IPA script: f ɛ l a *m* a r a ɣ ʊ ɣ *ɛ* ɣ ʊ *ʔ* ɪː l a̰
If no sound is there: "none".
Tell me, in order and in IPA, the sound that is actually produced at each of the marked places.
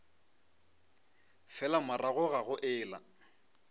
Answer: m, a, ʔ

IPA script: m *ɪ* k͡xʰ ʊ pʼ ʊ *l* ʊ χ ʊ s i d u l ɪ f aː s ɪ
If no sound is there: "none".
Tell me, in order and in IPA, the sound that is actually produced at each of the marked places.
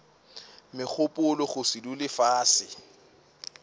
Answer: ɪ, l

